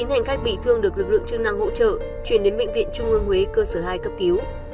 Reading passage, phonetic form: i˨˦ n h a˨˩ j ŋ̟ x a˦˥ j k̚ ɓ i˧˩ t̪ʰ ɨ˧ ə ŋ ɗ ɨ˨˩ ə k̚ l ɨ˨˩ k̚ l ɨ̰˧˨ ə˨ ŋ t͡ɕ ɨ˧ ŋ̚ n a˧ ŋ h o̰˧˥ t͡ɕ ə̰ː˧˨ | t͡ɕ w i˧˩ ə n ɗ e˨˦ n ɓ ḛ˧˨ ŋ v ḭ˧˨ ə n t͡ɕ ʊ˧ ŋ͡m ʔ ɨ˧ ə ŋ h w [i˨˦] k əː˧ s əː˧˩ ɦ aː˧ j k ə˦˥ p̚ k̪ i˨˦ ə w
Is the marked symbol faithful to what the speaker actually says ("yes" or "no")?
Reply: no